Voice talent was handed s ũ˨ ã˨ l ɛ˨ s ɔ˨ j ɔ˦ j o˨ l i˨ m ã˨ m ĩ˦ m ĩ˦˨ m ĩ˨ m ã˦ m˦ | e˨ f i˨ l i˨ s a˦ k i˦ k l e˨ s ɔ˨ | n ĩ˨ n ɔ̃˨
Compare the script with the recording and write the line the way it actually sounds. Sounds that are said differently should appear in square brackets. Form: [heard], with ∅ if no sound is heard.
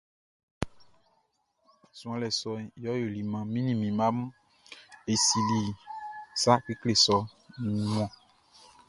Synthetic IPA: s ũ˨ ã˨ l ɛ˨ s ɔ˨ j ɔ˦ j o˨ l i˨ m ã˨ m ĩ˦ [n] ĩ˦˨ m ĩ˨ m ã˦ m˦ | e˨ [s] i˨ l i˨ s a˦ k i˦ k l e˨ s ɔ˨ | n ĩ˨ [m] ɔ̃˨